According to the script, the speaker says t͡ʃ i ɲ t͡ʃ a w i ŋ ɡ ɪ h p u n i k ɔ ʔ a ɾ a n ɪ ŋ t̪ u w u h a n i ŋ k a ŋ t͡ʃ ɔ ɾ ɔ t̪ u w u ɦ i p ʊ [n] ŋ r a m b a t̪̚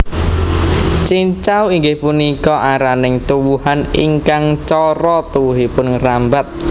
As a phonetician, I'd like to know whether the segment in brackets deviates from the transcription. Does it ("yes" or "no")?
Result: no